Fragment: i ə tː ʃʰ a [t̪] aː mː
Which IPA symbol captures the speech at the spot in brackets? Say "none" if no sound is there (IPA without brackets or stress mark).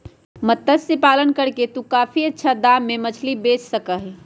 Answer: d̪